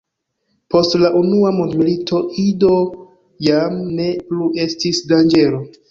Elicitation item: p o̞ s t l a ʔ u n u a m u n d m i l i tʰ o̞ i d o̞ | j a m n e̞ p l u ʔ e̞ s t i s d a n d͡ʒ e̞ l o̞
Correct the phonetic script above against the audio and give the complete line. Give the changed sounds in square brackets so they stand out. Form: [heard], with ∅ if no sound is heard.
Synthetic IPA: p o̞ s t l a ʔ u n u a m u n d m i l i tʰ o̞ i d o̞ | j a m n e̞ p l u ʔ e̞ s t i s d a n d͡ʒ e̞ l o̞